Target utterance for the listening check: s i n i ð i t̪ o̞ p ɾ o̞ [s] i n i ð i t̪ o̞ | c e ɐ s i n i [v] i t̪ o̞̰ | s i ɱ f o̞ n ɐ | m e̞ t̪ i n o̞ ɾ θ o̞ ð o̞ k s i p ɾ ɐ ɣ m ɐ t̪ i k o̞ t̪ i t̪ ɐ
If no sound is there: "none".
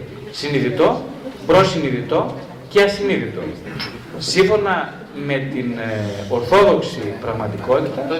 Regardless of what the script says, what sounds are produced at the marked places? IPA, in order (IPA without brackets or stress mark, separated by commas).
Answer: s, ð